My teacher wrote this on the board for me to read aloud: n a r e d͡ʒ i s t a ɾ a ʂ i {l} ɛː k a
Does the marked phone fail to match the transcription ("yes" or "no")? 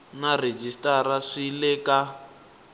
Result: no